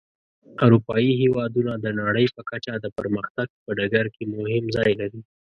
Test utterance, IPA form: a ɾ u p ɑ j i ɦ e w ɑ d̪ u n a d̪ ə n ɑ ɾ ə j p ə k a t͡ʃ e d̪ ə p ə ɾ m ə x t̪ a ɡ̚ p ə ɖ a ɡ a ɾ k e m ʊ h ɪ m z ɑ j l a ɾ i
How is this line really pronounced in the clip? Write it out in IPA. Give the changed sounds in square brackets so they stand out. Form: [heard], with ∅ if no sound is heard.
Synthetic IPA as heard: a ɾ u p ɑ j i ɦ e w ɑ d̪ u n a d̪ ə n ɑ [ɽ] ə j p ə k a t͡ʃ [a] d̪ ə p ə ɾ m ə x t̪ a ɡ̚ p ə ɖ a ɡ a ɾ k e m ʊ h ɪ m z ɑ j l a ɾ i